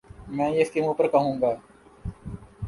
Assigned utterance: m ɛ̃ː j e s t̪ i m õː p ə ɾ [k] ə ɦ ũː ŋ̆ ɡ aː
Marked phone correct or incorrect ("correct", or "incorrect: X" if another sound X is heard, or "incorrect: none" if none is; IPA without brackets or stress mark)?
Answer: correct